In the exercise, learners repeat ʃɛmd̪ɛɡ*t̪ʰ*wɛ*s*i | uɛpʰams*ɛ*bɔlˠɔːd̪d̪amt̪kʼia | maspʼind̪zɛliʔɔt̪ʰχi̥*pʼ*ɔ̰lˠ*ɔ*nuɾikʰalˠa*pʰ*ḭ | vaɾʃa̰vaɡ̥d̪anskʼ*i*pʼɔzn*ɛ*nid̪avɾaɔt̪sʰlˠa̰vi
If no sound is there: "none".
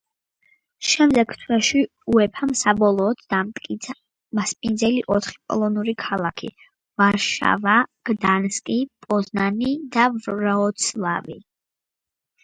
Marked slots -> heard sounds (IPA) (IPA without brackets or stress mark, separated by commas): t̪ʰ, ʃ, a, pʼ, ɔ, kʰ, i, a